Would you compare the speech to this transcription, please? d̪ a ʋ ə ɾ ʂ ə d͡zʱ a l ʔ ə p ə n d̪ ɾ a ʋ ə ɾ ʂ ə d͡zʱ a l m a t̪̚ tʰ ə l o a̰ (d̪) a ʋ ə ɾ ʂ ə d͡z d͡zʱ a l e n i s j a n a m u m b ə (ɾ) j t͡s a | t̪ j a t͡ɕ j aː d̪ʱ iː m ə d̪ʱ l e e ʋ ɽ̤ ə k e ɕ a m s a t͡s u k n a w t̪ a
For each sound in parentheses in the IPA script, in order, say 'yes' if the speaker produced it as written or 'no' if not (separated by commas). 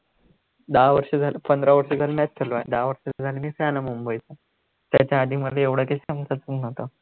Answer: yes, no